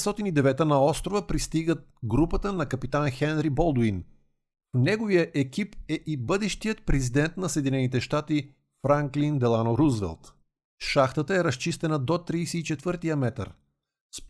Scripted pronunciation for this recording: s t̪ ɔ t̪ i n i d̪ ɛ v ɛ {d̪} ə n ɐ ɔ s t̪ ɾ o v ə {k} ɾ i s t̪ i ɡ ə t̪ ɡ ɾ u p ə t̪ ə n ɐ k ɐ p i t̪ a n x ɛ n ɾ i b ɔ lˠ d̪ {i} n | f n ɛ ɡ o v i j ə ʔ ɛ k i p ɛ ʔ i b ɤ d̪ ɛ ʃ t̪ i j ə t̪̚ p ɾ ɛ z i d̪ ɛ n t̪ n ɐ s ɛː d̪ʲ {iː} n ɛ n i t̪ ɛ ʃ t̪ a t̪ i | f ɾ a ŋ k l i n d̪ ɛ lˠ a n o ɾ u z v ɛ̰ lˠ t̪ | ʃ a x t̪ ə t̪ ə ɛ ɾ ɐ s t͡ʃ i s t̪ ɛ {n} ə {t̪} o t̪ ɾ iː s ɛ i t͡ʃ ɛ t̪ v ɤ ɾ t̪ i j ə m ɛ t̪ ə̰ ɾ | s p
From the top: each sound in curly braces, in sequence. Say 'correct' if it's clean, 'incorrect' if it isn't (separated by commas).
incorrect, incorrect, correct, incorrect, correct, incorrect